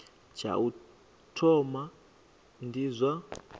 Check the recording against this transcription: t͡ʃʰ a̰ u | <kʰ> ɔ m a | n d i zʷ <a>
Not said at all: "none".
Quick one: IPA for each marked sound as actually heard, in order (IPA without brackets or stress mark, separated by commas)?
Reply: tʰ, a